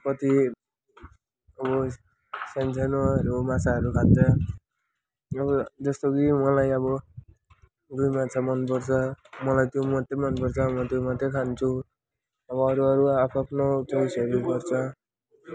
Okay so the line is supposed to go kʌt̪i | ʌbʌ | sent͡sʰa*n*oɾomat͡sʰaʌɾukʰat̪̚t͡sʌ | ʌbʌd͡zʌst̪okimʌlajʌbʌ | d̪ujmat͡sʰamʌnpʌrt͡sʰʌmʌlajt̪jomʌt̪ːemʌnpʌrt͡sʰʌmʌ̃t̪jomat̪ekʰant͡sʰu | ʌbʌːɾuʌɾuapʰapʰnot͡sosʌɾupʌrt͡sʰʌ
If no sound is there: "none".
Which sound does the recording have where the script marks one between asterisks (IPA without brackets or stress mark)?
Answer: n